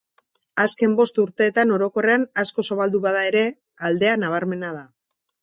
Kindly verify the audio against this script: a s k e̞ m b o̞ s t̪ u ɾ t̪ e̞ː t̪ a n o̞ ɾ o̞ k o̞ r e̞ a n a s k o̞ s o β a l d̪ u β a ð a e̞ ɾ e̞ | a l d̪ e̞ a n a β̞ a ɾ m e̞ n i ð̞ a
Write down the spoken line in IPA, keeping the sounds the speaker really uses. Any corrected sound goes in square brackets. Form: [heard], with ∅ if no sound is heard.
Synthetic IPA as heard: a s k e̞ m b o̞ s t̪ u ɾ t̪ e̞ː t̪ a n o̞ ɾ o̞ k o̞ r e̞ a n a s k o̞ s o β a l d̪ u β a ð a e̞ ɾ e̞ | a l d̪ e̞ a n a β̞ a ɾ m e̞ n [a] ð̞ a